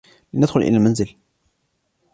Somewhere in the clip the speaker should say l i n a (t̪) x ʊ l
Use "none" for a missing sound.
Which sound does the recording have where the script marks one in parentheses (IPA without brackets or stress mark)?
d̪